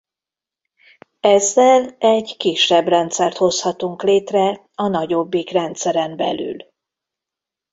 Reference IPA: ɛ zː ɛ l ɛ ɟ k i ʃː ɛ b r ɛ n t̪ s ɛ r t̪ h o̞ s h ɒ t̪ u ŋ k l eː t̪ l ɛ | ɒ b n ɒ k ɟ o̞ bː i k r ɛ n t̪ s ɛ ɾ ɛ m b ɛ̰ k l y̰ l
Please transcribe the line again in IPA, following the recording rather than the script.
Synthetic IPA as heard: ɛ zː ɛ l ɛ ɟ k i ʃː ɛ b r ɛ n t̪ s ɛ r t̪ h o̞ s h ɒ t̪ u ŋ k l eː t̪ r ɛ | ɒ n ɒ ɟ o̞ bː i k r ɛ n t̪ s ɛ ɾ ɛ m b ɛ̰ l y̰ l